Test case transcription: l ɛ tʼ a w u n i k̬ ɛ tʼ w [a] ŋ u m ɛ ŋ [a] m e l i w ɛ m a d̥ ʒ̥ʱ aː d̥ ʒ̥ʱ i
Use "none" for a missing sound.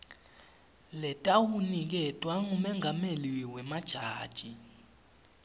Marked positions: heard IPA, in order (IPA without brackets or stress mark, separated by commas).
a, a